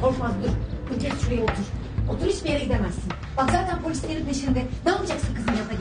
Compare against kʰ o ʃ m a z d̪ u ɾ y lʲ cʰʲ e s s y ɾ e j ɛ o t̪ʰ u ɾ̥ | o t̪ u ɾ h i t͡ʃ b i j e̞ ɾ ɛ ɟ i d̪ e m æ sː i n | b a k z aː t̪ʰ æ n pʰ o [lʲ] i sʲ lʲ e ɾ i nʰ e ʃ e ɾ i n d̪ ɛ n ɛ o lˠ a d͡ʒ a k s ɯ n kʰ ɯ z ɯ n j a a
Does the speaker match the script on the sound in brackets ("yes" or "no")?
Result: yes